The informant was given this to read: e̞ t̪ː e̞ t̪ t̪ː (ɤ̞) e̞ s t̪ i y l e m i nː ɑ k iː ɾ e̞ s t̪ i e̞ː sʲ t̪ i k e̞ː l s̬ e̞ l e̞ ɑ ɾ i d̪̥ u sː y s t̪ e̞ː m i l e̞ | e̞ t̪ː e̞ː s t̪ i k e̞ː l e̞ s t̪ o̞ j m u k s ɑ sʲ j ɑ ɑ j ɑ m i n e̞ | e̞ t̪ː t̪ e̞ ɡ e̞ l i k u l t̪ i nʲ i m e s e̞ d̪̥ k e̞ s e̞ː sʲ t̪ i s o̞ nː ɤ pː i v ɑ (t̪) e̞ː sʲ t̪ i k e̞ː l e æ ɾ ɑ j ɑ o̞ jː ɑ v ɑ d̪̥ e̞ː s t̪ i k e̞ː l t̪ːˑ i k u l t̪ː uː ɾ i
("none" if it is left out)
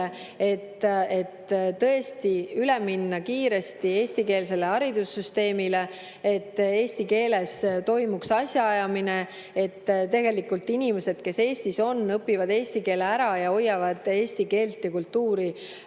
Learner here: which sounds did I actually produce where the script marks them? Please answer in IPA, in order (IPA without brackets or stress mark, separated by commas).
ɤ̞, d̪